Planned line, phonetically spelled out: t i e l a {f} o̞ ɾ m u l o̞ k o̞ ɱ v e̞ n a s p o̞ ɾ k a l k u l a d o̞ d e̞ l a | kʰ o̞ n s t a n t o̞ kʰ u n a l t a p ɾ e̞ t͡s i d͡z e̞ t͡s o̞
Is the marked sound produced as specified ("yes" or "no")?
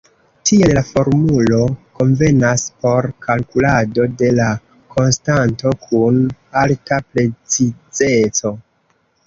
yes